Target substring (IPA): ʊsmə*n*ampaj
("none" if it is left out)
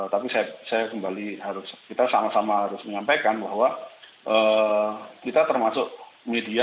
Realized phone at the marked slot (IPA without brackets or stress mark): ɲ